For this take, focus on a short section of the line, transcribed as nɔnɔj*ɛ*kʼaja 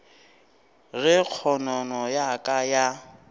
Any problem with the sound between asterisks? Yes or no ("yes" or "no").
yes